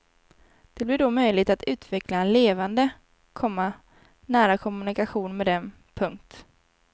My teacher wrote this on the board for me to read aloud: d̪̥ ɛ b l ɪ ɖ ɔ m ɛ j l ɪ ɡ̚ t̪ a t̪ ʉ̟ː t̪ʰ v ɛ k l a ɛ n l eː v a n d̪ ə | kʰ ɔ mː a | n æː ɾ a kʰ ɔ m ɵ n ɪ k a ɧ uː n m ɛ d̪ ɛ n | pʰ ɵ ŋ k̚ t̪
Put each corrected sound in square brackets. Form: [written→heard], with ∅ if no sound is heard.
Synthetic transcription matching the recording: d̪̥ ɛ b l ɪ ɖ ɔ m [ɛ→œ] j l ɪ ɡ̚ t̪ a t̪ ʉ̟ː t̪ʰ v ɛ k l a ɛ n l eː v a n d̪ ə | kʰ ɔ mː a | n æː ɾ a kʰ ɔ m ɵ n ɪ k a ɧ uː n m ɛ d̪ ɛ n | pʰ ɵ ŋ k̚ t̪

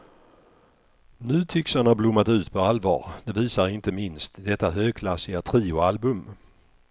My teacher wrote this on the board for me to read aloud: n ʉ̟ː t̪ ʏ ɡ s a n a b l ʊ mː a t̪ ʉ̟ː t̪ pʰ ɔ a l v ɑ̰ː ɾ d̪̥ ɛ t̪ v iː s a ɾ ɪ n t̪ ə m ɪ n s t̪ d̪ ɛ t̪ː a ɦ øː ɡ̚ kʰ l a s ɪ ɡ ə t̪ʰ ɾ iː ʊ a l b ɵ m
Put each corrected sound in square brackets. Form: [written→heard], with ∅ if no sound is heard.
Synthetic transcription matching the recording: n ʉ̟ː [t̪→t̪ʰ] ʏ [ɡ→k] s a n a b l ʊ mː a t̪ ʉ̟ː t̪ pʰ ɔ a l v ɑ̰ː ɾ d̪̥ ɛ [t̪→∅] v iː s a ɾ ɪ n t̪ ə m ɪ n s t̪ d̪ ɛ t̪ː a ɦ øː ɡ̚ kʰ l a s ɪ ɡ [ə→a] t̪ʰ ɾ iː ʊ a l b ɵ m

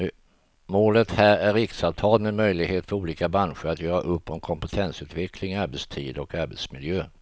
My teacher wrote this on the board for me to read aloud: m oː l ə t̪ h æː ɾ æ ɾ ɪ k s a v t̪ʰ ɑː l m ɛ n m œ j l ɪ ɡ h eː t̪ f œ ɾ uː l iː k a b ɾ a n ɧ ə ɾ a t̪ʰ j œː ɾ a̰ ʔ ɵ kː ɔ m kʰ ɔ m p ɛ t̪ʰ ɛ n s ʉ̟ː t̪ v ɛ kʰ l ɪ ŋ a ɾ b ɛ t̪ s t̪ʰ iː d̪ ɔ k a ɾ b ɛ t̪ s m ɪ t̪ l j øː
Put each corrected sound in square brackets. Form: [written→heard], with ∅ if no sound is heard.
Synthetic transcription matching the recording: m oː l ə t̪ h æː ɾ æ ɾ ɪ k s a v t̪ʰ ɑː l m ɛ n m œ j l ɪ ɡ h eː t̪ f œ ɾ uː l iː k a b ɾ a n ɧ ə ɾ a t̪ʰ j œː ɾ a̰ ʔ ɵ [kː→pː] ɔ m kʰ ɔ m p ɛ t̪ʰ ɛ n s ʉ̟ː t̪ v ɛ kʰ l ɪ ŋ a ɾ b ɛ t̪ s t̪ʰ iː d̪ ɔ k a ɾ b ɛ t̪ s m ɪ [t̪→∅] l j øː

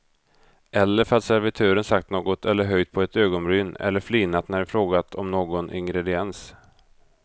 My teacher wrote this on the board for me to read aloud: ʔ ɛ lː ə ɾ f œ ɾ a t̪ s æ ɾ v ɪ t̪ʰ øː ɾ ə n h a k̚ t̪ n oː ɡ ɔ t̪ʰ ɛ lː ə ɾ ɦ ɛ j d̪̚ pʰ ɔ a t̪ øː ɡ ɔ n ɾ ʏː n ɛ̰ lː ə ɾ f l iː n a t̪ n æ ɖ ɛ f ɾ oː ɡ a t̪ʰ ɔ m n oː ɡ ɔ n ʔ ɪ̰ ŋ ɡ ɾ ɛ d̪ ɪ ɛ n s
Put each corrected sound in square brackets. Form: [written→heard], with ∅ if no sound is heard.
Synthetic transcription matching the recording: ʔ ɛ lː ə ɾ f œ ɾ a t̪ s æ ɾ v ɪ t̪ʰ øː ɾ ə n [h→s] a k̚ t̪ n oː ɡ ɔ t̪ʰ ɛ lː ə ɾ ɦ [ɛ→œ] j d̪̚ pʰ ɔ [a→ɛ] t̪ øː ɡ ɔ n ɾ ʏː n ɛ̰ lː ə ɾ f l iː n a t̪ n æ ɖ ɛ f ɾ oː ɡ a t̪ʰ ɔ m n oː ɡ ɔ n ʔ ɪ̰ ŋ ɡ ɾ ɛ d̪ ɪ ɛ n s

